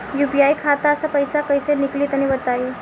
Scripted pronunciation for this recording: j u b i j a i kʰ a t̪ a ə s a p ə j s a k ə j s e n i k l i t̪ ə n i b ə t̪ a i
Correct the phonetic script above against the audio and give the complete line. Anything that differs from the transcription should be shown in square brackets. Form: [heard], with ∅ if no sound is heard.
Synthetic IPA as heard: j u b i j a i kʰ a t̪ a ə s a p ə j s a k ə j s e n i k l i t̪ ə n i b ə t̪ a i